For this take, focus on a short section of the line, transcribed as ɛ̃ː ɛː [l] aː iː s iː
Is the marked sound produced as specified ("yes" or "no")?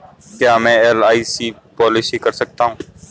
yes